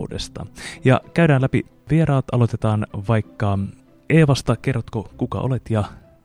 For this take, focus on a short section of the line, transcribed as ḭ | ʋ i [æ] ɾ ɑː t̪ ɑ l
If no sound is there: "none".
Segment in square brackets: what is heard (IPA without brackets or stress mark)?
e